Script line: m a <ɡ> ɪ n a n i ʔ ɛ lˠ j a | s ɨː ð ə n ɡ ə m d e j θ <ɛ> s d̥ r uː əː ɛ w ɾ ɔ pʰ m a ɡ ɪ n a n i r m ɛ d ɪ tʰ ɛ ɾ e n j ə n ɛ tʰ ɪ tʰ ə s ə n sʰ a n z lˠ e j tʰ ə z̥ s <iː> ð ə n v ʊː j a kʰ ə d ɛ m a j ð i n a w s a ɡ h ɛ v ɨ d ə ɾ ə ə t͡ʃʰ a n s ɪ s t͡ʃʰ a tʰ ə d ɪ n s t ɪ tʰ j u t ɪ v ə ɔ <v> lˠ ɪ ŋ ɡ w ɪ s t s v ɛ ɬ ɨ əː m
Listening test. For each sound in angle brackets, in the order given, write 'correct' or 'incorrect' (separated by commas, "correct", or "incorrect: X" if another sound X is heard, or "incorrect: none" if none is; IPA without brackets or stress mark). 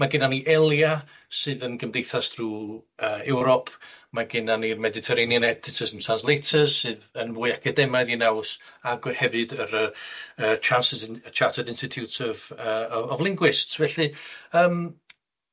correct, incorrect: a, incorrect: ɨː, correct